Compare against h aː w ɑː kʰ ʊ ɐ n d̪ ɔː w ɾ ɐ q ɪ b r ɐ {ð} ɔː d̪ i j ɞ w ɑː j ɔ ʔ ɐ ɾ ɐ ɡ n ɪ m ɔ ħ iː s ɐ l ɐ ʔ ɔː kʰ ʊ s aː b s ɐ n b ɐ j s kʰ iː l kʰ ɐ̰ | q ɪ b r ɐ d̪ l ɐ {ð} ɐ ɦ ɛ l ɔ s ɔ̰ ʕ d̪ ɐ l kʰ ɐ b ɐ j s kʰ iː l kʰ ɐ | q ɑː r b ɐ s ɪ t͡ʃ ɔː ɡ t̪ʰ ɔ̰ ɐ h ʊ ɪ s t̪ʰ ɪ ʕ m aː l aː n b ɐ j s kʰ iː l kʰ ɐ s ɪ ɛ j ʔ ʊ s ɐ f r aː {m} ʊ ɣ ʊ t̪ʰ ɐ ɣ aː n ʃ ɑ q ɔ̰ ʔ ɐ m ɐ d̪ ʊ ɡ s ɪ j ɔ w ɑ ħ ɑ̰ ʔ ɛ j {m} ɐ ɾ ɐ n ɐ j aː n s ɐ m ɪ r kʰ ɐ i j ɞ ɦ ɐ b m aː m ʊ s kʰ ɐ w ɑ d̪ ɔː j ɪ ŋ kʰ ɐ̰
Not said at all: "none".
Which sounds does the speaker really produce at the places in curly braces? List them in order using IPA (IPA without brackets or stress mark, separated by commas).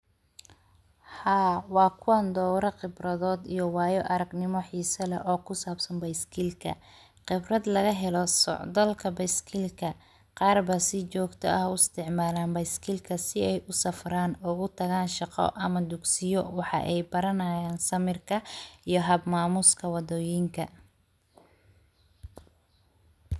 ð, ɣ, n, b